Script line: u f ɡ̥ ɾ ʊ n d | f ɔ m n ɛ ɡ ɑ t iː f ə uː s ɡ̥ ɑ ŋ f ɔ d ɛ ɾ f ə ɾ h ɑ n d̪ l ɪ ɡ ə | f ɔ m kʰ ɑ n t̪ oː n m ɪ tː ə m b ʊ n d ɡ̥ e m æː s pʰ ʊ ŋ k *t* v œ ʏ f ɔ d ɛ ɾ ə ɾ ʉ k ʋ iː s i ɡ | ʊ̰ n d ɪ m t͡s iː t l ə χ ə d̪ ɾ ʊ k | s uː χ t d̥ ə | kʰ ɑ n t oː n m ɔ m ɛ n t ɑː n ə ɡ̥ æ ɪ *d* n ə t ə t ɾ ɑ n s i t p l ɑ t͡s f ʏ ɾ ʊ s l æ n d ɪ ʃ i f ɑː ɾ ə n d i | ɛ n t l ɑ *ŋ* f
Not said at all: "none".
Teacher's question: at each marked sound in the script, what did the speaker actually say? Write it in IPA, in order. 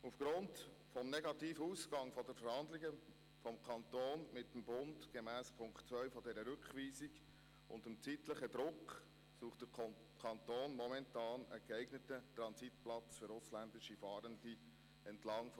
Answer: t͡s, ɡ, ŋ

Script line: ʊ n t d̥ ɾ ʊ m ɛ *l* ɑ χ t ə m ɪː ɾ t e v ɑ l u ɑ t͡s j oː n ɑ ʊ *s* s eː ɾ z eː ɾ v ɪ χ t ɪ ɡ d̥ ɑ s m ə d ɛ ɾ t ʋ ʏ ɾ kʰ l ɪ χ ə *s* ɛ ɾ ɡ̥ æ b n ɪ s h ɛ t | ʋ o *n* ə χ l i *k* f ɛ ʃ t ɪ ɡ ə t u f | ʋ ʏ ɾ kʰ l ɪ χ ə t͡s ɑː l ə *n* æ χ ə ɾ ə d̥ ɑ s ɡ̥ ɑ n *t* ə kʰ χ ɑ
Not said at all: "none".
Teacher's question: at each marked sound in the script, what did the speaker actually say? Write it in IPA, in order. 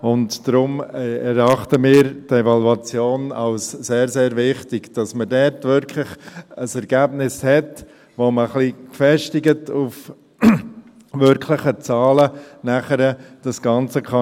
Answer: ɾ, s, s, m, k, n, t͡s

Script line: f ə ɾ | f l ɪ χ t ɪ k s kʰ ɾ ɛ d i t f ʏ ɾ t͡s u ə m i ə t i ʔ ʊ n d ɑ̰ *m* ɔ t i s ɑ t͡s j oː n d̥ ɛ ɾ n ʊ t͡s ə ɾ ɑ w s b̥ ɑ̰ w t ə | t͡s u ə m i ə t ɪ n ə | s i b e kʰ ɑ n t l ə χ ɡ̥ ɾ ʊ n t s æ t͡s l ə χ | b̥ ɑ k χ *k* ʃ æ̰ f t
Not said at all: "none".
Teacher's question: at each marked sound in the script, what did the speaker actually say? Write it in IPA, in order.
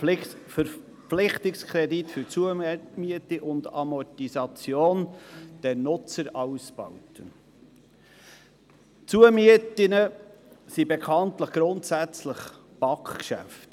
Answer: m, k

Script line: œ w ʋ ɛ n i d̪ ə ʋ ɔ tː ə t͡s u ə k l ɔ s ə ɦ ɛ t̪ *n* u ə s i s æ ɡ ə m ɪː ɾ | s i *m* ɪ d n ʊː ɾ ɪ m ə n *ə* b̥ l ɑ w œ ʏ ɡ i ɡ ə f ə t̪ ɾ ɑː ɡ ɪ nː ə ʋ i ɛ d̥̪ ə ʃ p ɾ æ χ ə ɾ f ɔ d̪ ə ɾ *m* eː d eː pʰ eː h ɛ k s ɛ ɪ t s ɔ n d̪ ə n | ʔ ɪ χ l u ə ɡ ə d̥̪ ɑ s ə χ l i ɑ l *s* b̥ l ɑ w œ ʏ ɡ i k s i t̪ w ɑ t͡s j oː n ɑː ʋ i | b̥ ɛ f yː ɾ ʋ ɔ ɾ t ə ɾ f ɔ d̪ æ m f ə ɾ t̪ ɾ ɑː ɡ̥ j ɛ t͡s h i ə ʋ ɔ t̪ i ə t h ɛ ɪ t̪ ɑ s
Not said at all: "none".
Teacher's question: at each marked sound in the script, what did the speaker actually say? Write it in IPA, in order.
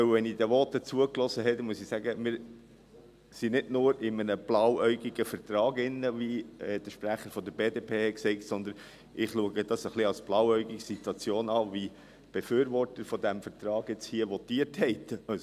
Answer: m, n, ə, b, s

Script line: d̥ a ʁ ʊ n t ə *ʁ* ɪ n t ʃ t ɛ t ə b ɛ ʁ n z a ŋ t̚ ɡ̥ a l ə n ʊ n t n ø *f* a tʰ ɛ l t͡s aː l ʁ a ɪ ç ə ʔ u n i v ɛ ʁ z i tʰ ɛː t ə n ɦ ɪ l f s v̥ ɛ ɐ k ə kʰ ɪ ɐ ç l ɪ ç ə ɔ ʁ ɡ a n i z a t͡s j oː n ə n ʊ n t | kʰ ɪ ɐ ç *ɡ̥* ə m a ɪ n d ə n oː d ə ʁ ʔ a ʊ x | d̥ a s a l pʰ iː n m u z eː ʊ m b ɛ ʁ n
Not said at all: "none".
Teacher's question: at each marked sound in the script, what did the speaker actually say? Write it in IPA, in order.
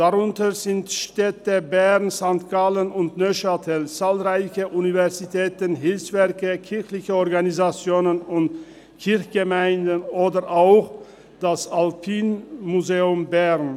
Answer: z, ʃ, ɡ̥

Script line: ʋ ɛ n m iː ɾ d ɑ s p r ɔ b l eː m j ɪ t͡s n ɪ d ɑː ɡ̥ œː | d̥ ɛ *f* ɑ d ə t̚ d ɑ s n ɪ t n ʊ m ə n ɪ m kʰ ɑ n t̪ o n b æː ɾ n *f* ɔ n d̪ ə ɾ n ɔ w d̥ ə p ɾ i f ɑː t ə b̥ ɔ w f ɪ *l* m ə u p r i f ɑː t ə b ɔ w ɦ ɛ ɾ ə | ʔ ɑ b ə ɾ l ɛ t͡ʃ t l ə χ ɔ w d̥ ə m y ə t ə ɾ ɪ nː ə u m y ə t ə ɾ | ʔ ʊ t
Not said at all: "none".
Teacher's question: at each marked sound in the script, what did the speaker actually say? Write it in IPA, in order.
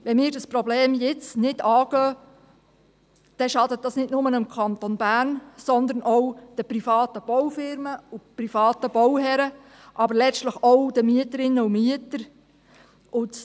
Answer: ʃ, s, ɾ

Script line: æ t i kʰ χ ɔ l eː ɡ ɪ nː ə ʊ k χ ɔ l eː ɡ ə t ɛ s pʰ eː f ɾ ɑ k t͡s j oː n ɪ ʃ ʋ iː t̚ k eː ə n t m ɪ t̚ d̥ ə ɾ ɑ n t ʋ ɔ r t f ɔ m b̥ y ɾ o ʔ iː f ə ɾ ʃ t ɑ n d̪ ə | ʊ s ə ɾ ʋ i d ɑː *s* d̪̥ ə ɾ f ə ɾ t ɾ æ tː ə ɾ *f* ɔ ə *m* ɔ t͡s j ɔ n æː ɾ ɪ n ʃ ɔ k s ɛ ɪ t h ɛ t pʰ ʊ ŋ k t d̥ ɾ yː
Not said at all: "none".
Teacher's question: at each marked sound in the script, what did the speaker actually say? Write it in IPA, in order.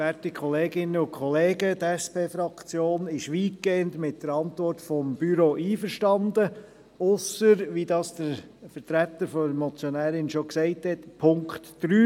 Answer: s, f, m

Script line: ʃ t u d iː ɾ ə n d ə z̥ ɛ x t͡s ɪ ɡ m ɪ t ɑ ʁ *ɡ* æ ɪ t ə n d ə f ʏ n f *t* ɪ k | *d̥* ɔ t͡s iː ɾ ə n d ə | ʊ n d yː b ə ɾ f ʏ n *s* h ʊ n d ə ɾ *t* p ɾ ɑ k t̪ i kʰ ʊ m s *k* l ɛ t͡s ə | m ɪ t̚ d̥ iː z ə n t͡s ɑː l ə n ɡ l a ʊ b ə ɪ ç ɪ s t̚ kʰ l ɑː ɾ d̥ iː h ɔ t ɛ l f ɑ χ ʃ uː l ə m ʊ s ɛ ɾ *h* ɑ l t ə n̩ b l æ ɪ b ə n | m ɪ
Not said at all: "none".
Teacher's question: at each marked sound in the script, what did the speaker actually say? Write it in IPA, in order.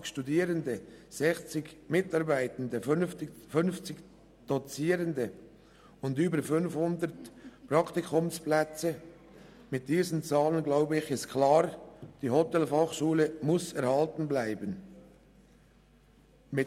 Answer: b, t͡s, d̥, f, t, p, h

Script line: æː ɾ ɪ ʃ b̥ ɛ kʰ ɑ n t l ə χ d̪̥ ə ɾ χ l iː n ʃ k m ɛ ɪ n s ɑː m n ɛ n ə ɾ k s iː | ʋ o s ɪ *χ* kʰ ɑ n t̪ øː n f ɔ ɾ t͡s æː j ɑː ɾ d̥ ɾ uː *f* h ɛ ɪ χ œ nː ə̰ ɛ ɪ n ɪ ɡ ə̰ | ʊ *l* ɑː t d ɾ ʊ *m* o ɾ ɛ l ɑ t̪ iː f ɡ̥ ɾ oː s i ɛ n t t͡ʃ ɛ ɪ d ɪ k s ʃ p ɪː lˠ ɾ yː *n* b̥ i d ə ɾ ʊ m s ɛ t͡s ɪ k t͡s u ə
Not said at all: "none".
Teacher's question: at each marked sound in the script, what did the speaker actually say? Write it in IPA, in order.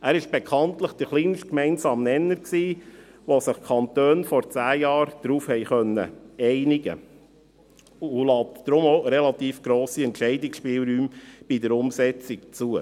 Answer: χ, f, l, m, m

